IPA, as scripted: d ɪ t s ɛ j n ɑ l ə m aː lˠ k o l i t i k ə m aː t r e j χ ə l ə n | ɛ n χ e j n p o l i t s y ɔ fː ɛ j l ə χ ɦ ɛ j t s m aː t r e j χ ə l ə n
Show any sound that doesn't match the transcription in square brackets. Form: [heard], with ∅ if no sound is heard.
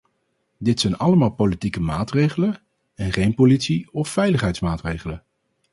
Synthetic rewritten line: d ɪ t s ɛ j n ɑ l ə m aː lˠ [p] o l i t i k ə m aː t r e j χ ə l ə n | ɛ n χ e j n p o l i t s [i] ɔ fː ɛ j l ə χ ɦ ɛ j t s m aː t r e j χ ə l ə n